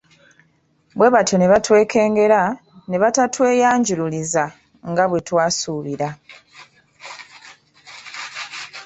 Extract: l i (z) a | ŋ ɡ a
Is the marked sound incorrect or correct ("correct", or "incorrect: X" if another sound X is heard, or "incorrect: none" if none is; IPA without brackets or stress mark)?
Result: correct